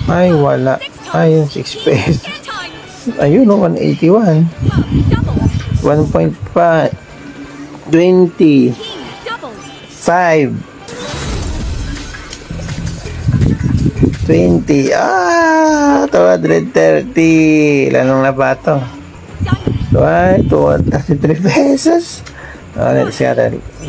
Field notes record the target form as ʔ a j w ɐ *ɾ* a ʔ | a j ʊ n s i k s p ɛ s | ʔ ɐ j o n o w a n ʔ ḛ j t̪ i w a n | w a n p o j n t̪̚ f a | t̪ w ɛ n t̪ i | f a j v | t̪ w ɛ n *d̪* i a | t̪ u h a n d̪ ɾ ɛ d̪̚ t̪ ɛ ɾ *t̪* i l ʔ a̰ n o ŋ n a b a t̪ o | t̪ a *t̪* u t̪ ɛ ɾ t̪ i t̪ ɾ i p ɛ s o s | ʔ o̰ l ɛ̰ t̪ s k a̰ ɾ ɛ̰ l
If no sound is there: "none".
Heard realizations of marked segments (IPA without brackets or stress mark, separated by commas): l, t̪, t̪, t̪